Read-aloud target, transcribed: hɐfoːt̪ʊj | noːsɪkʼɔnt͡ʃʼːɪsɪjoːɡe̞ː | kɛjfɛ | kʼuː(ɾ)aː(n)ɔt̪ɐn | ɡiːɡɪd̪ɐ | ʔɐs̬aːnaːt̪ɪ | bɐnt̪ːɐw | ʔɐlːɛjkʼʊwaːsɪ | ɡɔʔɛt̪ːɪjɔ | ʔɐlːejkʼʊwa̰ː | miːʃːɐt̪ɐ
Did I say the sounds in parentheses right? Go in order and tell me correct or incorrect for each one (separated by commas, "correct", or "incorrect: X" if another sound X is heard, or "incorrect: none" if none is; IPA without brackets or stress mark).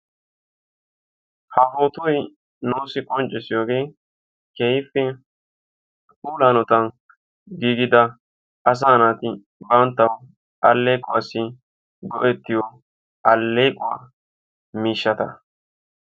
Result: incorrect: l, correct